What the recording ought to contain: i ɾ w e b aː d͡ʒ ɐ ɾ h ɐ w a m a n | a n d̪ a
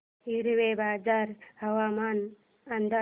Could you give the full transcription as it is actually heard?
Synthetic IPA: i ɾ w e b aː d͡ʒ a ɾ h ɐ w a m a n | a n d̪ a